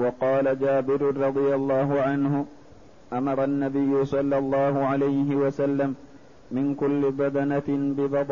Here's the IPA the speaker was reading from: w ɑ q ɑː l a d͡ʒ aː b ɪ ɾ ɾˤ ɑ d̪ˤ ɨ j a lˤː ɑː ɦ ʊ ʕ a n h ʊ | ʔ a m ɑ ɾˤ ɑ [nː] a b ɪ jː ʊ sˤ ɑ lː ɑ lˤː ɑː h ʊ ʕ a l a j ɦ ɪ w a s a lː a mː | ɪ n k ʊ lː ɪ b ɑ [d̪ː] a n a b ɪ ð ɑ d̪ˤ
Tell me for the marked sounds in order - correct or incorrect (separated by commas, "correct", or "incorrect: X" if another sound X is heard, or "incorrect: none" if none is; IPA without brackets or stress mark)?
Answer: correct, incorrect: d̪